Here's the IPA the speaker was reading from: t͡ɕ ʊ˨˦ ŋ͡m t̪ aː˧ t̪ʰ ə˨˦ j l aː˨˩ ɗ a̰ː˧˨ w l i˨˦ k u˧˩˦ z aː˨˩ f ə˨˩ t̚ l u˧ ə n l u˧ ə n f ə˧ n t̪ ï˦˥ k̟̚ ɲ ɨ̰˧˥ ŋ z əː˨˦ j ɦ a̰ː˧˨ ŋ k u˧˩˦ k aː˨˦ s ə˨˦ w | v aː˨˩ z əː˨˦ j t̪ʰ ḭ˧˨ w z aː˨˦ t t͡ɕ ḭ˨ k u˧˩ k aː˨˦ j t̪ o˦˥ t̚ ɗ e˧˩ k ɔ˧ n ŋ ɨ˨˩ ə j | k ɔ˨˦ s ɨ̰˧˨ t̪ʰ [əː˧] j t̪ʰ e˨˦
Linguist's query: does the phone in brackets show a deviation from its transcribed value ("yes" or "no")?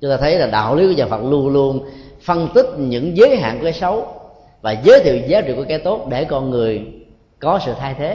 yes